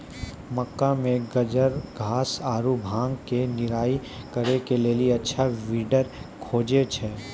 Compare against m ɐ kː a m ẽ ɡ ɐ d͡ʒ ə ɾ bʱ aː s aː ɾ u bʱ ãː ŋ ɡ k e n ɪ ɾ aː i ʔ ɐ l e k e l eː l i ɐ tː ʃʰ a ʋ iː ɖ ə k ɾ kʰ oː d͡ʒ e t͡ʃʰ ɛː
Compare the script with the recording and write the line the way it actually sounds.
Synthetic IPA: m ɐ kː a m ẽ ɡ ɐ d͡ʒ ə ɾ ɡʱ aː s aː ɾ u bʱ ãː ŋ ɡ k e n ɪ ɾ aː i k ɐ ɾ e k e l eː l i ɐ tː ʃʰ a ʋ iː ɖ ə ɾ kʰ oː d͡ʒ e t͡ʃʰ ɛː